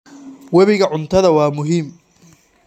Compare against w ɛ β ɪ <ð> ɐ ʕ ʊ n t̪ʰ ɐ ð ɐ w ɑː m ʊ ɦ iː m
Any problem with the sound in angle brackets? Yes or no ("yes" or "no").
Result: yes